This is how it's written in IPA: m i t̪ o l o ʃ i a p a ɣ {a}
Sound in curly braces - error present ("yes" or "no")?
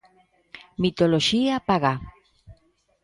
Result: no